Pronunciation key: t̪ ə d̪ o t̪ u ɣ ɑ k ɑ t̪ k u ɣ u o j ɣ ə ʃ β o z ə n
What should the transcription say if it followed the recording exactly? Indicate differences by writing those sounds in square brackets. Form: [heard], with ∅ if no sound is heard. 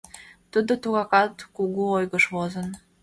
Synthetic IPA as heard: t̪ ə d̪ o t̪ u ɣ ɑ k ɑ t̪ k u ɣ u o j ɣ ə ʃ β o z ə n